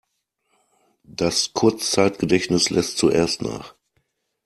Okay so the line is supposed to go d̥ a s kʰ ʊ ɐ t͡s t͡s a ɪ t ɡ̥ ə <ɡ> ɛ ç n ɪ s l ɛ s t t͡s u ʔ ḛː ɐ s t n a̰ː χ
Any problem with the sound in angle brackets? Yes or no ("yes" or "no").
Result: yes